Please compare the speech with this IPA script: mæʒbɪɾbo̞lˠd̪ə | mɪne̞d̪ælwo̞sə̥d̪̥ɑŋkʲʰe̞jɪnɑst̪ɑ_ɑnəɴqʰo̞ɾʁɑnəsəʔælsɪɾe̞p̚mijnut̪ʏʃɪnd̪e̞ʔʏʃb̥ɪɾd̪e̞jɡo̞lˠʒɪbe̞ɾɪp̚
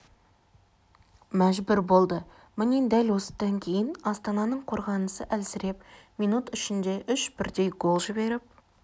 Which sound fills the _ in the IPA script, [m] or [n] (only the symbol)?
n